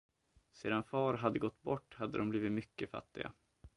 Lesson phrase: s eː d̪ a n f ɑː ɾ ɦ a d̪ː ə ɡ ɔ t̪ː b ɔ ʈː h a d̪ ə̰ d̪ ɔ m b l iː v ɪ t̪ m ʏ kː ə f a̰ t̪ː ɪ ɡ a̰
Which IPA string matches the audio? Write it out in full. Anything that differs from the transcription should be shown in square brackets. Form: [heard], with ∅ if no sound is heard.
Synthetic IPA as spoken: s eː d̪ a n f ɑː ɾ ɦ a d̪ː ə ɡ ɔ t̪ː b ɔ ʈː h a [d̪ː] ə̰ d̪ ɔ m b l iː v ɪ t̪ m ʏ kː ə f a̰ t̪ː ɪ ɡ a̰